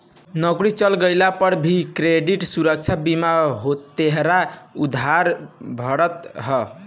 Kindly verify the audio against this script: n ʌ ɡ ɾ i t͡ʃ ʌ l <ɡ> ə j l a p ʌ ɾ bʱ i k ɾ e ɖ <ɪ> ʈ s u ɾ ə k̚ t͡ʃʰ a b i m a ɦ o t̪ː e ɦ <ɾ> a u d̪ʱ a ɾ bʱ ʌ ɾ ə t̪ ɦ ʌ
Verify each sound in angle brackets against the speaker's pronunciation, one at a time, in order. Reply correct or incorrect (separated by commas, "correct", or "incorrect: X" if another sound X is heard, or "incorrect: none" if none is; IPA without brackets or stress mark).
correct, incorrect: i, correct